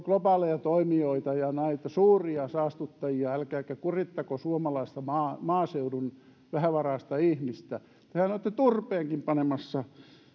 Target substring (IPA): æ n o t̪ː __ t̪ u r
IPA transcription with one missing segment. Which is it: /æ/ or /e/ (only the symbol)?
e